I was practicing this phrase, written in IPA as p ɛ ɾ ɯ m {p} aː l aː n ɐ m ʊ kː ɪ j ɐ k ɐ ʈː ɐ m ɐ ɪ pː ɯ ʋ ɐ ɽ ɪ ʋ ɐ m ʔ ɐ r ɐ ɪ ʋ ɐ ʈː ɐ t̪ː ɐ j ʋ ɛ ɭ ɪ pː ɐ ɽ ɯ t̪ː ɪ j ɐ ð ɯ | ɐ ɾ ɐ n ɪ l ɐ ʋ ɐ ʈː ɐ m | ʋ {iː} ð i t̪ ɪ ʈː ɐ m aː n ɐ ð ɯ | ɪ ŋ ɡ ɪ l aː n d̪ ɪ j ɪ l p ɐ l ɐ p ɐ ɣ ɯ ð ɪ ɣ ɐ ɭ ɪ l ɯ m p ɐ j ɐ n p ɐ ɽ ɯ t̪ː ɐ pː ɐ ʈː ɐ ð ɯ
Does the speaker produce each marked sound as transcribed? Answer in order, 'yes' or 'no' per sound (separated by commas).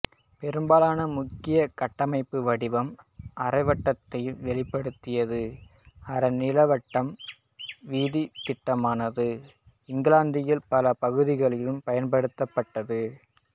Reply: no, yes